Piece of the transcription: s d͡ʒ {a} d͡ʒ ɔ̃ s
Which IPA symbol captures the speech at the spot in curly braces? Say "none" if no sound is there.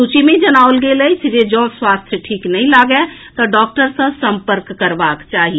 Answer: e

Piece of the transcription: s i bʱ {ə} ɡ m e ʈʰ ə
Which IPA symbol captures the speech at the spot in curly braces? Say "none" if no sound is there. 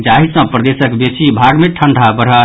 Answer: a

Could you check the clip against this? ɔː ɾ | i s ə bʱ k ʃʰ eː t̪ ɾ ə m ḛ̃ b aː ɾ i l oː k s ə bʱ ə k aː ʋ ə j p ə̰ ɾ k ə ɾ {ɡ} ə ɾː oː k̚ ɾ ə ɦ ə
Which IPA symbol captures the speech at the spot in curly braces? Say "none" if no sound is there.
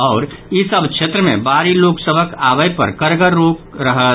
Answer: ɡ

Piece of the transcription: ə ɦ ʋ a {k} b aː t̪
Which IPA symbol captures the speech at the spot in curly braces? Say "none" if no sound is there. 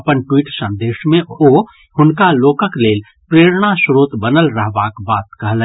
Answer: k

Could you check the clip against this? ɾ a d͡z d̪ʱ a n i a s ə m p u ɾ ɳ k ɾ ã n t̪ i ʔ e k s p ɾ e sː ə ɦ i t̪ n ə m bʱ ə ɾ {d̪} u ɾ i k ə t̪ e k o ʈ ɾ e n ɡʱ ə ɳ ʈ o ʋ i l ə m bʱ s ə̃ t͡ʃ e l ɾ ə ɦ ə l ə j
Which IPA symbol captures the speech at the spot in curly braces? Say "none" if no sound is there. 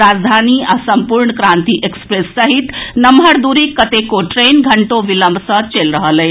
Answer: d̪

